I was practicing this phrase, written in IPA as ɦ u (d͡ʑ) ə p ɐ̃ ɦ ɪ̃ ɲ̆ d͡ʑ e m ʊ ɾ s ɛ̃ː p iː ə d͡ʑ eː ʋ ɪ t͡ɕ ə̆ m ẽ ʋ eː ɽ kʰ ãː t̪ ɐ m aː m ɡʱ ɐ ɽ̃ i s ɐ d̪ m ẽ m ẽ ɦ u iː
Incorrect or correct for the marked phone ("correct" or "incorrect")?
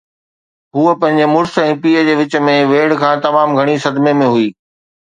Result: incorrect